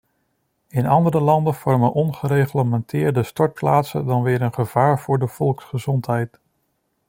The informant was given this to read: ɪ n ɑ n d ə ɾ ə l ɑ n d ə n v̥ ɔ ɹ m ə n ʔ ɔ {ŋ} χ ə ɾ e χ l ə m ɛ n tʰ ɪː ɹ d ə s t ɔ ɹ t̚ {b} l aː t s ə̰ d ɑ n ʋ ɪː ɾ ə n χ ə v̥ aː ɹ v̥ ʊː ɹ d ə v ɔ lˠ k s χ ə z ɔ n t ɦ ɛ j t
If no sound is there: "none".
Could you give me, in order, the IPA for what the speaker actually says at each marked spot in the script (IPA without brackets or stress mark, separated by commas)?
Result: n, p